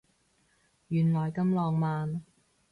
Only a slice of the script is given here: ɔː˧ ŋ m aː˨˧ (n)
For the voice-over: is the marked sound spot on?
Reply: yes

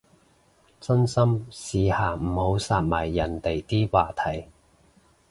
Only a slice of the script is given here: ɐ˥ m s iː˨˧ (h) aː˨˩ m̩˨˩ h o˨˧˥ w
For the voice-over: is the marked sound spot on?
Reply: yes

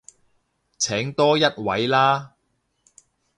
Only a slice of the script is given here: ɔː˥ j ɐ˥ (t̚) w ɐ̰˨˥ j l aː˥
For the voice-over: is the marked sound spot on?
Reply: yes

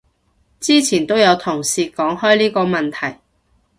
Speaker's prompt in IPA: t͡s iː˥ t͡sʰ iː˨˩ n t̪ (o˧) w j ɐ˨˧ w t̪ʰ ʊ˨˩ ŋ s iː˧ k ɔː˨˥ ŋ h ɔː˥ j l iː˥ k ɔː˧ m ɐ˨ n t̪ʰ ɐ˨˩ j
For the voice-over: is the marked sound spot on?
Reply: no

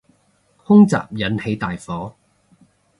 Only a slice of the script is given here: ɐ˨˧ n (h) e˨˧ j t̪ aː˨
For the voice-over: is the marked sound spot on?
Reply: yes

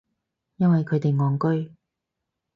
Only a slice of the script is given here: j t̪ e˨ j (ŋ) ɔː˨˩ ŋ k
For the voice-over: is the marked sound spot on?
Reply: yes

